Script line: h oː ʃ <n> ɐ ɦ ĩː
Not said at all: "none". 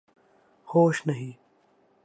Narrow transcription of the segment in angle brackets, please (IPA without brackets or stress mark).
n